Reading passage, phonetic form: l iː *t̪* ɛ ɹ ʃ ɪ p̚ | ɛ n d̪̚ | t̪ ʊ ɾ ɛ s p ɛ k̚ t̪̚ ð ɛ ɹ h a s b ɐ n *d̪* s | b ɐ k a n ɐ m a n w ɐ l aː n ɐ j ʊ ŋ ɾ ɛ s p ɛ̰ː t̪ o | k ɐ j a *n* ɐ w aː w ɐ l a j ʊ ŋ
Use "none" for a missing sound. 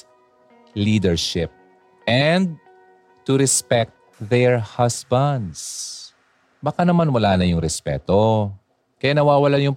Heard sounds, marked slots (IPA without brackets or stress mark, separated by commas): d̪, d̪, n